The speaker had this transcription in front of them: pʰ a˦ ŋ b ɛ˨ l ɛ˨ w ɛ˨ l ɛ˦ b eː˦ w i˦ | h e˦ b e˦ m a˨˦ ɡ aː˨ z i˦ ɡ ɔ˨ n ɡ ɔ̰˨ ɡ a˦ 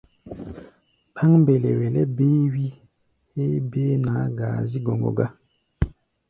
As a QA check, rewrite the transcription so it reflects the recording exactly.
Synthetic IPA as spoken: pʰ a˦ ŋ b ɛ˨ l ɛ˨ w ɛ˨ l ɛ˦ b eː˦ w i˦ | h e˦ b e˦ n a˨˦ ɡ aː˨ z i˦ ɡ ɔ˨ ŋ ɡ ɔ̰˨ ɡ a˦